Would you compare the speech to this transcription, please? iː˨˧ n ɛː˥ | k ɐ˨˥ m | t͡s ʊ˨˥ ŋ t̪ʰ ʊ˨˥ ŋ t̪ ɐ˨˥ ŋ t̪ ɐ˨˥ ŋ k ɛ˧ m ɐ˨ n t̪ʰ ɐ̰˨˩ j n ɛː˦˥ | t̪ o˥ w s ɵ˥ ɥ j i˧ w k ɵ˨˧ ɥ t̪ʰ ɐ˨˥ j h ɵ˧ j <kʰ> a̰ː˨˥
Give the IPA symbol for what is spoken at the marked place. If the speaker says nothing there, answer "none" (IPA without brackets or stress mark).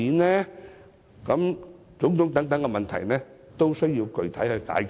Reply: k